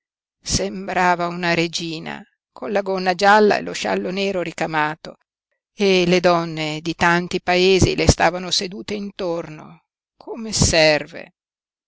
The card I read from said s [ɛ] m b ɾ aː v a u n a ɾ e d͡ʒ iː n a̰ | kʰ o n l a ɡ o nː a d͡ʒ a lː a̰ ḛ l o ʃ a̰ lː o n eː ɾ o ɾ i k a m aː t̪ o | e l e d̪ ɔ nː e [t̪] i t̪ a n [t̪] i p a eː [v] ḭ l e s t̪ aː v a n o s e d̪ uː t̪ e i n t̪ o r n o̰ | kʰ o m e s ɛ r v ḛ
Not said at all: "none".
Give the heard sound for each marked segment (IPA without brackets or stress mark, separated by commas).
e, d̪, t̪, z